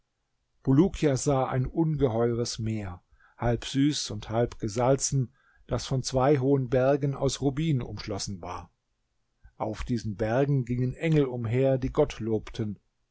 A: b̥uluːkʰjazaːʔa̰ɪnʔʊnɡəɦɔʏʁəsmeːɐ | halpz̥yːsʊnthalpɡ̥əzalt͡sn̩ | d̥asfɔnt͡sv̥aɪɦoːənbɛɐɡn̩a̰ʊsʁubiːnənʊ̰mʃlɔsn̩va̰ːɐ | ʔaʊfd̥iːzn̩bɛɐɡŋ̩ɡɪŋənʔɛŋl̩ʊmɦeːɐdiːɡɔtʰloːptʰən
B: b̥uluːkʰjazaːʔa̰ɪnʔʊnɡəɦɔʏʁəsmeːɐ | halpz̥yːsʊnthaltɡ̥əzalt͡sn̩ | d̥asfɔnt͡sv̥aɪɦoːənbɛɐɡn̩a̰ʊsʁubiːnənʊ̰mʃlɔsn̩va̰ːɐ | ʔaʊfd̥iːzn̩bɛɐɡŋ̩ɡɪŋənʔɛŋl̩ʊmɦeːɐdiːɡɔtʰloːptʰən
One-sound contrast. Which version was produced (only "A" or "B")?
A